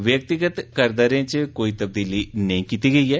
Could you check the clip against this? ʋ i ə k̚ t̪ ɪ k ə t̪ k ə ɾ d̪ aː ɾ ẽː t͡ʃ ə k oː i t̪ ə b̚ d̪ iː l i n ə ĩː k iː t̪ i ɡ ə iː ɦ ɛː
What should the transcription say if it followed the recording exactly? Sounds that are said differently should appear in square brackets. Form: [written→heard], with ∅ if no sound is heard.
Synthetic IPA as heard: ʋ [i→j] ə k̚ t̪ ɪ [k→ɡ] ə t̪ k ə ɾ d̪ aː ɾ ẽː t͡ʃ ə k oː i t̪ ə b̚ d̪ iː l i n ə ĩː k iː t̪ i ɡ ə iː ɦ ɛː